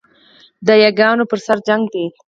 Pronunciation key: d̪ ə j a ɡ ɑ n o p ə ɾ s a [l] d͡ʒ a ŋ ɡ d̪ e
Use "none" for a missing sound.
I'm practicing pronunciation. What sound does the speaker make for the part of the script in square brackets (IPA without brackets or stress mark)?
ɾ